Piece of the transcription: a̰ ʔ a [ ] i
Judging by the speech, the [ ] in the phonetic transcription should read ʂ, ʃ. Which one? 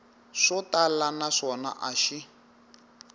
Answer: ʃ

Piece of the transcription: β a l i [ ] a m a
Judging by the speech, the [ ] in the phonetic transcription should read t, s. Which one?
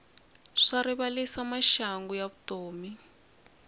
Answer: s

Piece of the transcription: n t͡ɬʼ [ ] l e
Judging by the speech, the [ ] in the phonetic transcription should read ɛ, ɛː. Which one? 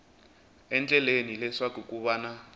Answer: ɛ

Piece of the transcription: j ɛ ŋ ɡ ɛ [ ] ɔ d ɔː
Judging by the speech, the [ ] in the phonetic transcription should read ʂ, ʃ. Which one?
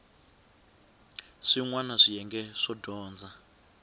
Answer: ʂ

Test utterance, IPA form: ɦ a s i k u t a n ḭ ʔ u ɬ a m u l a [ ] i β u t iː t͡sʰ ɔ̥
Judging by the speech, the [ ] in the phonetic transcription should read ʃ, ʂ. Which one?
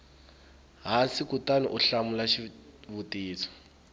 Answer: ʃ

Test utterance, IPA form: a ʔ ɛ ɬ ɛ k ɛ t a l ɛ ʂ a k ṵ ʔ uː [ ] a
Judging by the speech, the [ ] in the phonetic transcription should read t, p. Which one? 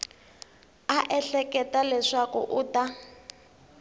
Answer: t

